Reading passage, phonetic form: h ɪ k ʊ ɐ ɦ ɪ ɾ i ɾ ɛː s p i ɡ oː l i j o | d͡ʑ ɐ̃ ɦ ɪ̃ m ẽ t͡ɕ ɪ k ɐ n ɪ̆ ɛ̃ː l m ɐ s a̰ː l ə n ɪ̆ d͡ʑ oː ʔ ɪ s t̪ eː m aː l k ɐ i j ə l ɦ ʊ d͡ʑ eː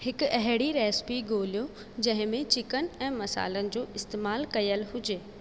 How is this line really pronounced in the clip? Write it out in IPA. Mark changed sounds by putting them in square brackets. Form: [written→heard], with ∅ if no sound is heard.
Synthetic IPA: h ɪ k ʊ ɐ ɦ ɪ [ɾ→ɽ] i ɾ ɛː s p i ɡ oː l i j o | d͡ʑ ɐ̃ ɦ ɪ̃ m ẽ t͡ɕ ɪ k [ɐ→ə] n ɪ̆ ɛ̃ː [l→∅] m ɐ s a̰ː l ə n ɪ̆ d͡ʑ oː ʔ ɪ s t̪ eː m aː l k ɐ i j ə l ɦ ʊ d͡ʑ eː